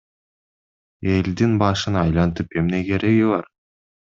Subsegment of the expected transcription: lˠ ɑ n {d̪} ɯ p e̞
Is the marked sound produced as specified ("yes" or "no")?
no